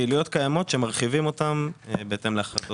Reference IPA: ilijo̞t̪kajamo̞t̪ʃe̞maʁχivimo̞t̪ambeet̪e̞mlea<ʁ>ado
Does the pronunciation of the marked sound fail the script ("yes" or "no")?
yes